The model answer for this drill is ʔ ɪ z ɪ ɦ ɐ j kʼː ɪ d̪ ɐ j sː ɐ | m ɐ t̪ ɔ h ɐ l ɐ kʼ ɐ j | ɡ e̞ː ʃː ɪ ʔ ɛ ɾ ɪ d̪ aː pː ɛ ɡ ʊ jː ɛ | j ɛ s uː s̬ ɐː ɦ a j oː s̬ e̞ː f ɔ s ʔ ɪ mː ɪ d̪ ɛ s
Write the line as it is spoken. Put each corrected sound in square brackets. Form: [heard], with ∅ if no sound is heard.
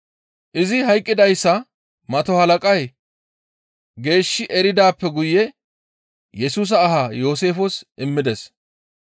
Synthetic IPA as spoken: ʔ ɪ z ɪ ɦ ɐ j kʼː ɪ d̪ ɐ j sː ɐ | m ɐ t̪ ɔ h ɐ l ɐ kʼ ɐ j | ɡ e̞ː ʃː ɪ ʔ ɛ ɾ ɪ d̪ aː pː ɛ ɡ ʊ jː ɛ | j ɛ s uː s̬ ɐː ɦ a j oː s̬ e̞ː f ɔ s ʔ ɪ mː ɪ d̪ ɛ s